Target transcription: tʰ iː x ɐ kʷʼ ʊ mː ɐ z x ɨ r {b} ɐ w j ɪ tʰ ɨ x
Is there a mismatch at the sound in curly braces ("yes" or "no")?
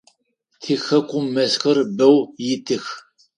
no